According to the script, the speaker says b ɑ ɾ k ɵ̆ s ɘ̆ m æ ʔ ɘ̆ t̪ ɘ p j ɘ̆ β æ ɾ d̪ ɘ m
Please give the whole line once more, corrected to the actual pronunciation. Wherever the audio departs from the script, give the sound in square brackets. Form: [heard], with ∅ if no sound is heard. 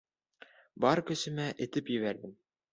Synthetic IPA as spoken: b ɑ ɾ k ɵ̆ s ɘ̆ m æ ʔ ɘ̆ t̪ ɘ p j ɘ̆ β æ ɾ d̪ ɘ m